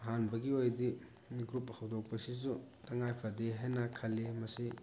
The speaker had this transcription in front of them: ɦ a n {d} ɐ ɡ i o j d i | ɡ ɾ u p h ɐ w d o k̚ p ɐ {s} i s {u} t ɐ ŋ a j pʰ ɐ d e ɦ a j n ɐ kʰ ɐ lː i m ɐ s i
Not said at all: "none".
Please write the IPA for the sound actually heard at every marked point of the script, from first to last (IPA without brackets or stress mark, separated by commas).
b, s, u